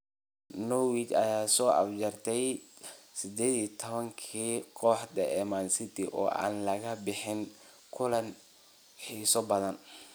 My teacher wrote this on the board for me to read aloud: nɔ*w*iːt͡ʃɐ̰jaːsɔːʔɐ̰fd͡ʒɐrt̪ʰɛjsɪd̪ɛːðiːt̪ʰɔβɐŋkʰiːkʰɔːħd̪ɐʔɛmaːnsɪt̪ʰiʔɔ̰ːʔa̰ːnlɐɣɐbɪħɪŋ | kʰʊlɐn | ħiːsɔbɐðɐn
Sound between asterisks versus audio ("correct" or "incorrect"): correct